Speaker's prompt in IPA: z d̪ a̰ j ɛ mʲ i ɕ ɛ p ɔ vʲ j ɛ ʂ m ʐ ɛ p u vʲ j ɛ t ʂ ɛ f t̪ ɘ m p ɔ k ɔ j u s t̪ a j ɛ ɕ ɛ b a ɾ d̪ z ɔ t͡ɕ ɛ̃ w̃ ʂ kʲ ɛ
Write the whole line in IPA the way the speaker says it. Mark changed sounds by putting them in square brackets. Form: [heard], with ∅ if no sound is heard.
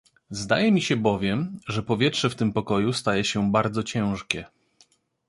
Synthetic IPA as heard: z d̪ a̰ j ɛ mʲ i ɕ ɛ [b] ɔ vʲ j ɛ [∅] m ʐ ɛ p [ɔ] vʲ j ɛ t ʂ ɛ f t̪ ɘ m p ɔ k ɔ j u s t̪ a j ɛ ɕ ɛ b a ɾ d̪ z ɔ t͡ɕ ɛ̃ w̃ ʂ kʲ ɛ